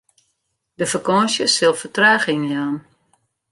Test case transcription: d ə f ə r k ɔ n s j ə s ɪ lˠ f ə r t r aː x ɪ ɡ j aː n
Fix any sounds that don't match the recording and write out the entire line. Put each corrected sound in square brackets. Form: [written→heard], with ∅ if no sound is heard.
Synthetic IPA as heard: d ə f ə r k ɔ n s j ə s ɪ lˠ f ə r t r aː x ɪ [ɡ→ŋ] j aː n